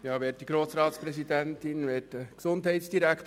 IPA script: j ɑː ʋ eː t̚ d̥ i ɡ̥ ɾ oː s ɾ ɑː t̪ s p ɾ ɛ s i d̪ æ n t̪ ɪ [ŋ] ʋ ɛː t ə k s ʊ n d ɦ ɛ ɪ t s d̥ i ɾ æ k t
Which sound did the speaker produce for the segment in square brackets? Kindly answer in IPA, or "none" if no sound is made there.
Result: n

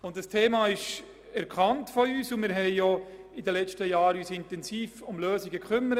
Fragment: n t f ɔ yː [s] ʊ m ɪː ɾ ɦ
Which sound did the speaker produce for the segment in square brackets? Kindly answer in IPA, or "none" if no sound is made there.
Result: s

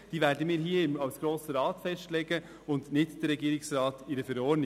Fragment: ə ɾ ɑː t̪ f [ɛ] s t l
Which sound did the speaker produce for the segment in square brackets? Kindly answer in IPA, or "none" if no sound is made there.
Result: ɛ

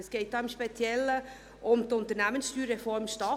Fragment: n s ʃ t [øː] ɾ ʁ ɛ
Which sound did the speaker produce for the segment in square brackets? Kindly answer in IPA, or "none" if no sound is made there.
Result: yː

